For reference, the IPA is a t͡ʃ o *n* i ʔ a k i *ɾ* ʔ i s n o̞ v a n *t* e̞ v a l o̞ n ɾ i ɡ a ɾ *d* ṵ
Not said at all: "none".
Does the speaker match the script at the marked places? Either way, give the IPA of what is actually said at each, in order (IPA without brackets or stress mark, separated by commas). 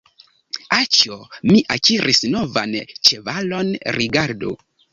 m, ɾ, t͡ʃ, d